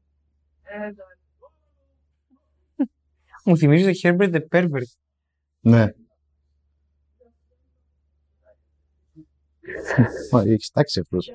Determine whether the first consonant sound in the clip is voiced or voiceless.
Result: voiced